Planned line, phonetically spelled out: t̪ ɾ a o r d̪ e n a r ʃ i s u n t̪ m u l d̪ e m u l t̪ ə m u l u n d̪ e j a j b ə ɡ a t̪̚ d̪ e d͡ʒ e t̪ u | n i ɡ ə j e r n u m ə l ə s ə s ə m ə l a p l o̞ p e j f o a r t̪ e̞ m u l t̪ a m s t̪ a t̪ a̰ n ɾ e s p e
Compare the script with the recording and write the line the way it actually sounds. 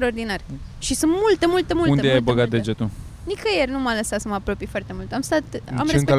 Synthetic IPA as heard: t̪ ɾ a o r d̪ i n a r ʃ i s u n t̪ m u l t̪ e m u l t̪ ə m u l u n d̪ e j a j b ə ɡ a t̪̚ d̪ e d͡ʒ e t̪ u | n i k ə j e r n u m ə l ə s a s ə m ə a p ɾ o̞ p i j f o a r t̪ e̞ m u l t̪ a m s t̪ a t̪ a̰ m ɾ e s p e